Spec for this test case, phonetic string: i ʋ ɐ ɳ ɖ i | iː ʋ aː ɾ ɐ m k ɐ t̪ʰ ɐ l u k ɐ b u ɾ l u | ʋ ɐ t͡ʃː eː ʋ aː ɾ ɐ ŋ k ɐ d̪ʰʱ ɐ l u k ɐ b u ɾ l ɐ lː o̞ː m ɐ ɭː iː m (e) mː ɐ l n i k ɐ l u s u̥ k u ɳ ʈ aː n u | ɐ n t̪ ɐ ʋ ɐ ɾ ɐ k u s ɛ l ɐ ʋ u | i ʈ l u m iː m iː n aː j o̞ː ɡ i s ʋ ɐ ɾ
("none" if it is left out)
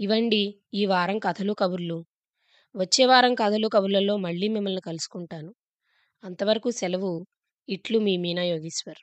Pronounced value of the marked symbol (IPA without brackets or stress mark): i